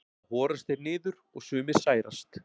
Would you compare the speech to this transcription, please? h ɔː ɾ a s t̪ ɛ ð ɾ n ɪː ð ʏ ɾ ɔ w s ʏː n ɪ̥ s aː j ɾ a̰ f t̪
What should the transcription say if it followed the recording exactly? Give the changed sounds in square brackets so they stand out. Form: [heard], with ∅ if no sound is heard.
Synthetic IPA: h ɔː ɾ a s t̪ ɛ [∅] ɾ n ɪː ð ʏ ɾ ɔ [ɣ] s ʏː [m] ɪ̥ s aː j ɾ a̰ [s] t̪